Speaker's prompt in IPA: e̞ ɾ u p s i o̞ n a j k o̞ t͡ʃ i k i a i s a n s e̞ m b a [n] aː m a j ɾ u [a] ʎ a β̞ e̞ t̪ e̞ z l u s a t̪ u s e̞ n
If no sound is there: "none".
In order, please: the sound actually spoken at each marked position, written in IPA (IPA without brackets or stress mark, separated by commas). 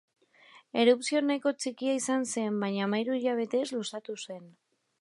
ɲ, i